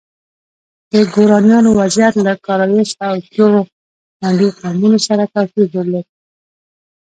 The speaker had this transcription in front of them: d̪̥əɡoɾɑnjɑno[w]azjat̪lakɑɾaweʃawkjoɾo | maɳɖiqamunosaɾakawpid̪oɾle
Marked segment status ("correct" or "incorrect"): correct